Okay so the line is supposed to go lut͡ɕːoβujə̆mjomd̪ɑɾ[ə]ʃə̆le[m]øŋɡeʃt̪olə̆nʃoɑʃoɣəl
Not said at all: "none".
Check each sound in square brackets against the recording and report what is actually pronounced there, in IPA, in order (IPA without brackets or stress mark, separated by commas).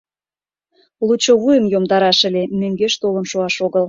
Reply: ɑ, m